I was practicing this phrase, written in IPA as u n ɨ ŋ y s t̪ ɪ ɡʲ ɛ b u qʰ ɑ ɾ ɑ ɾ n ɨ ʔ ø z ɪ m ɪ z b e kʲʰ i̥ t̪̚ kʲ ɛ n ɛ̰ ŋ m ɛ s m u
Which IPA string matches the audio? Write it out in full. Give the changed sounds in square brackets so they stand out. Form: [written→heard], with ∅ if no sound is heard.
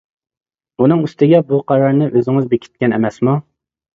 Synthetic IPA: u n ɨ ŋ y s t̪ ɪ ɡʲ ɛ b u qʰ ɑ ɾ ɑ ɾ n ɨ ʔ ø z ɪ [m→ŋ] ɪ z b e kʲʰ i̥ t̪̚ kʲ ɛ n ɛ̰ [ŋ→∅] m ɛ s m u